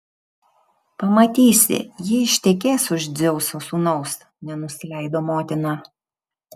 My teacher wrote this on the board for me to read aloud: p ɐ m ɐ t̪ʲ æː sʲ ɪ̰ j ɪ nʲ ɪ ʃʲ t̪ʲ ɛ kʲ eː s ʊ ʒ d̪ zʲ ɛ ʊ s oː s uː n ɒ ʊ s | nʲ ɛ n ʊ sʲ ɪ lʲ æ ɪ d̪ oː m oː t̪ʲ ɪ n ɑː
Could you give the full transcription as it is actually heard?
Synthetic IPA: p ɐ m ɐ t̪ʲ iː sʲ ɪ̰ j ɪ ɪ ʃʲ t̪ʲ ɛ kʲ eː s ʊ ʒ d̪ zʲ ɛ ʊ s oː s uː n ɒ ʊ s | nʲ ɛ n ʊ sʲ ɪ lʲ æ ɪ d̪ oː m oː t̪ʲ ɪ n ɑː

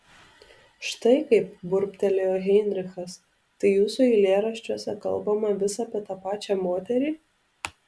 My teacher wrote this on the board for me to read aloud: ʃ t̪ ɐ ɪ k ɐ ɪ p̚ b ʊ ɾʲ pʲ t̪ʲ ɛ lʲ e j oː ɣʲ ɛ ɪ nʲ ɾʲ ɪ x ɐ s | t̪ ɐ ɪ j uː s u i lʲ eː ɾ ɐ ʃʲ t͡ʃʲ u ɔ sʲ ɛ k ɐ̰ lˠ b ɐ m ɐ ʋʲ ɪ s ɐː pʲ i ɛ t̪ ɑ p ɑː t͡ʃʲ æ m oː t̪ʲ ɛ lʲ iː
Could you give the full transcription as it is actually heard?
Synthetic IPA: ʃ t̪ ɐ ɪ k ɐ ɪ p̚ b ʊ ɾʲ pʲ t̪ʲ ɛ lʲ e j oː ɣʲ ɛ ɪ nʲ ɾʲ ɪ x ɐ s | t̪ ɐ ɪ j uː s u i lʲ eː ɾ ɐ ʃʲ t͡ʃʲ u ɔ sʲ ɛ k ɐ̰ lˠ b ɐ m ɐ ʋʲ ɪ s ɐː pʲ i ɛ t̪ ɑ p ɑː t͡ʃʲ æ m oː t̪ʲ ɛ ɾʲ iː

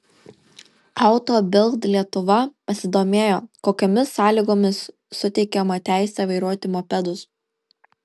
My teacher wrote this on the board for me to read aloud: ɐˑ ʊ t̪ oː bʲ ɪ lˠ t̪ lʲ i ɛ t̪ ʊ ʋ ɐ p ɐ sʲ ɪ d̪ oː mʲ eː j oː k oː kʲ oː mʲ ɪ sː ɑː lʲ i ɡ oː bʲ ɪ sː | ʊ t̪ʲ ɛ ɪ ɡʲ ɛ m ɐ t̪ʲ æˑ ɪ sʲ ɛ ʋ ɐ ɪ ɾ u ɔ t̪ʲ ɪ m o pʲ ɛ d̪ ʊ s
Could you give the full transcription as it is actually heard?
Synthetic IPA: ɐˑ ʊ t̪ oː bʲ ɪ lˠ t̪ lʲ i ɛ t̪ ʊ ʋ ɐ p ɐ sʲ ɪ d̪ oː mʲ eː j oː k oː kʲ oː mʲ ɪ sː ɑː lʲ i ɡ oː mʲ ɪ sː | ʊ t̪ʲ ɛ ɪ kʲ ɛ m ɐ t̪ʲ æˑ ɪ sʲ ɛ ʋ ɐ ɪ ɾ u ɔ t̪ʲ ɪ m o pʲ ɛ d̪ ʊ s

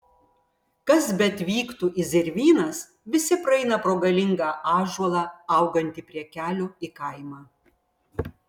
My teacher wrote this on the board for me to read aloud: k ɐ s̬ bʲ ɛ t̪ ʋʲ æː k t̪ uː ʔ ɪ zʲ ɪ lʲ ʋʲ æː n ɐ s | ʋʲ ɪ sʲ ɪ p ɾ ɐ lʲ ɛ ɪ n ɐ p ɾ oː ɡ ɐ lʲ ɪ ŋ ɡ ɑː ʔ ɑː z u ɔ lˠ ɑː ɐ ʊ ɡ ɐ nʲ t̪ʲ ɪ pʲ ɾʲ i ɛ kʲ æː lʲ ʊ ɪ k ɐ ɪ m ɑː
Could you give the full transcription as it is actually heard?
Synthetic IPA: k ɐ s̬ bʲ ɛ t̪ ʋʲ iː k t̪ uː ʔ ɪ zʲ ɪ ɾʲ ʋʲ iː n ɐ s | ʋʲ ɪ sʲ ɪ p ɾ ɐ ɛ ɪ n ɐ p ɾ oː ɡ ɐ lʲ ɪ ŋ ɡ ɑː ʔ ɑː ʒ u ɔ lˠ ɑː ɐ ʊ ɡ ɐ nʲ t̪ʲ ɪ pʲ ɾʲ i ɛ kʲ æː lʲ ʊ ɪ k ɐ ɪ m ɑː

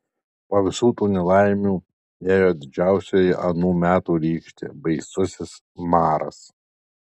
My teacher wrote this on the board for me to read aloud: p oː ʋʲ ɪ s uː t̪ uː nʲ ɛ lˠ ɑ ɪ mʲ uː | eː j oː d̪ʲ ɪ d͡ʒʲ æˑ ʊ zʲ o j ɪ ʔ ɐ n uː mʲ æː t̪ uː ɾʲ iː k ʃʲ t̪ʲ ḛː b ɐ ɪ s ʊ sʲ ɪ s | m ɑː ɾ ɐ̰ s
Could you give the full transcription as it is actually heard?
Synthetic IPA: p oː ʋʲ ɪ s uː t̪ uː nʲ ɛ lˠ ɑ ɪ mʲ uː | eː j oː d̪ʲ ɪ d͡ʒʲ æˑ ʊ sʲ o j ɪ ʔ ɐ n uː mʲ æː t̪ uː ɾʲ iː k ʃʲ t̪ʲ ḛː b ɐ ɪ s ʊ sʲ ɪ s | m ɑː ɾ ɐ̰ s

